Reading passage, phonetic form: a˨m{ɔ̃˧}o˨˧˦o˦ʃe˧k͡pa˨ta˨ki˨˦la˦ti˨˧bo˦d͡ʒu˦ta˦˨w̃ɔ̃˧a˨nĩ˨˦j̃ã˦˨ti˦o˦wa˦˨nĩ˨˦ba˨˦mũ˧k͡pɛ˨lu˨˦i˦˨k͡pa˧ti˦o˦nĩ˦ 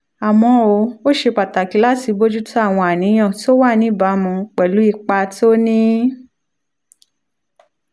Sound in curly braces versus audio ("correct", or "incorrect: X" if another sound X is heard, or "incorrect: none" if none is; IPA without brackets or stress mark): correct